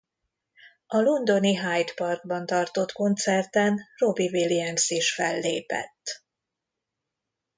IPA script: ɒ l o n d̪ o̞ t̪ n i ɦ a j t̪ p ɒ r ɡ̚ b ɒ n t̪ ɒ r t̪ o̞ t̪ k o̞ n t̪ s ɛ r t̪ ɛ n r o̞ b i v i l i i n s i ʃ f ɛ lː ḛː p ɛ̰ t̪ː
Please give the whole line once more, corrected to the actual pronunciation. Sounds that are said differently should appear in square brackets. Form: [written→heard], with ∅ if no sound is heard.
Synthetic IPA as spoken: ɒ l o n d̪ o̞ [t̪→∅] n i ɦ a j t̪ p ɒ r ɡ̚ b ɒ n t̪ ɒ r t̪ o̞ t̪ k o̞ n t̪ s ɛ r t̪ ɛ n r o̞ b i v i l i [i→ɛ] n s i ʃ f ɛ lː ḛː p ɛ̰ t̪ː